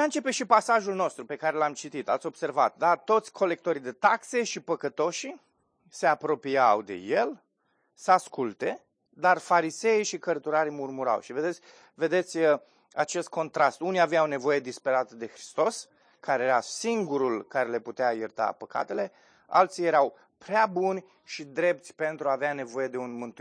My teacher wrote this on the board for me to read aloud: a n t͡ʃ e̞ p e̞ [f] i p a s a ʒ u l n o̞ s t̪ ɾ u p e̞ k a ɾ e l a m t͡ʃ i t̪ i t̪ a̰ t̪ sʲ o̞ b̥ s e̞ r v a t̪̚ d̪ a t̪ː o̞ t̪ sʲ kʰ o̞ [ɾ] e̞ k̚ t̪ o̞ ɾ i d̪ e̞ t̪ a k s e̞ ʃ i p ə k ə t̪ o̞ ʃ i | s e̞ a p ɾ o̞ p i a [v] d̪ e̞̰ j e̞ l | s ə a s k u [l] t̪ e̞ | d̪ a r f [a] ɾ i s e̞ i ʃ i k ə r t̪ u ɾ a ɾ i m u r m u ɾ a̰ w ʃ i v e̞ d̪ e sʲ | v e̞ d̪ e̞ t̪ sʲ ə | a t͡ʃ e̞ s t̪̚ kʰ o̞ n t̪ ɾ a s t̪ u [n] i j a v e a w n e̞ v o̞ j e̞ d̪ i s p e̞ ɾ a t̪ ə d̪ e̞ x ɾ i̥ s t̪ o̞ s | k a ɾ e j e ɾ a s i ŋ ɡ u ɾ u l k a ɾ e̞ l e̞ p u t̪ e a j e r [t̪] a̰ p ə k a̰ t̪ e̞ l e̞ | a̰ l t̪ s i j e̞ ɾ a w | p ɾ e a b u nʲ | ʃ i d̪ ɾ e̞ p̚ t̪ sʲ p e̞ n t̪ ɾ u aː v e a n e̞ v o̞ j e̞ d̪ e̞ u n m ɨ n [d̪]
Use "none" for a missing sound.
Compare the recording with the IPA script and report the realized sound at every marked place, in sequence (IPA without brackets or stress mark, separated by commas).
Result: ʃ, l, w, l, a, n, t̪, t̪